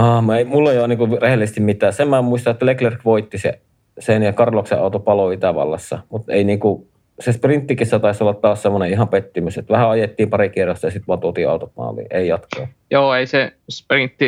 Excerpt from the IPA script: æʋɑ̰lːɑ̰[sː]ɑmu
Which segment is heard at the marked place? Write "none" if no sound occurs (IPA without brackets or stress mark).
sː